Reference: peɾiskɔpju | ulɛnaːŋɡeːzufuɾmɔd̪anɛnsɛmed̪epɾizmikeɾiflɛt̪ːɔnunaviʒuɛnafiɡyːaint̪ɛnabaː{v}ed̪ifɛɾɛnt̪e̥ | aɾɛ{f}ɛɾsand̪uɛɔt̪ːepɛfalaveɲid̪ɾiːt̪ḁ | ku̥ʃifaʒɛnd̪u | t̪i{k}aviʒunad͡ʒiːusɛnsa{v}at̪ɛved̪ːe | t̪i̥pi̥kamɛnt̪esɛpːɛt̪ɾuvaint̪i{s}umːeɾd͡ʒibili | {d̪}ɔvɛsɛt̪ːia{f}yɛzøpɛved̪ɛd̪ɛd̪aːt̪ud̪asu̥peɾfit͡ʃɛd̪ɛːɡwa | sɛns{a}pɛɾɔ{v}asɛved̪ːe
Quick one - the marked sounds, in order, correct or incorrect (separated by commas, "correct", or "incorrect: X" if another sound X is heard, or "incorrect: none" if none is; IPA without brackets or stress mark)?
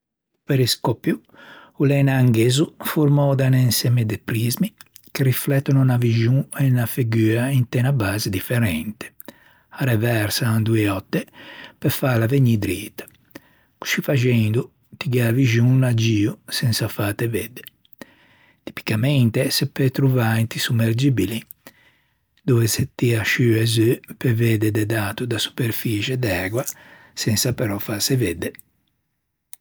incorrect: z, incorrect: v, incorrect: ɡ, incorrect: f, correct, correct, incorrect: ʃ, correct, incorrect: f